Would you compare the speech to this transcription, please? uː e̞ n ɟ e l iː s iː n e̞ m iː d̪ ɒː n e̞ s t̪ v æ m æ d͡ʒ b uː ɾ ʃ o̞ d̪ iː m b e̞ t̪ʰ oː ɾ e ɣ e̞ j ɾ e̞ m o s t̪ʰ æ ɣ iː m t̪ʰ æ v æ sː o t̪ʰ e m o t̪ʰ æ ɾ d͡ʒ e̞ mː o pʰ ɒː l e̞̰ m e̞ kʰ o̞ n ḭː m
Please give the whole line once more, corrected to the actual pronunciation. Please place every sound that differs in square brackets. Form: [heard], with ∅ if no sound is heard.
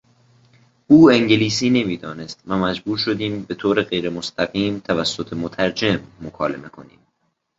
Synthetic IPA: uː e̞ [ŋ] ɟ e l iː s iː n e̞ m iː d̪ ɒː n e̞ s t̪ v æ m æ d͡ʒ b uː ɾ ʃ o̞ d̪ iː m b e̞ t̪ʰ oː ɾ e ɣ e̞ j ɾ e̞ m o s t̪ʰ æ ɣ iː m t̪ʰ æ v æ sː o t̪ʰ e m o t̪ʰ æ ɾ d͡ʒ e̞ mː o [kʰ] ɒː l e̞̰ m e̞ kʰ o̞ n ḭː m